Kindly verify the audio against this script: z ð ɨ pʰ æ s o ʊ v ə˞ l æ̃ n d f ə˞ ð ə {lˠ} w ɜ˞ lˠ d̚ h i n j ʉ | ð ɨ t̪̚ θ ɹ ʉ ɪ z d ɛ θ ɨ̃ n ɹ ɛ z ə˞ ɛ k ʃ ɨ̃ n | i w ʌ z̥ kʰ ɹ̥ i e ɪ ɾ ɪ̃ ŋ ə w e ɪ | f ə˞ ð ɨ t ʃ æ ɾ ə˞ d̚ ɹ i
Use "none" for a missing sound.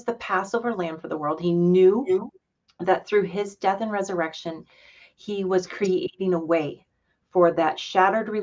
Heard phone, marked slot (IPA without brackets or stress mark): none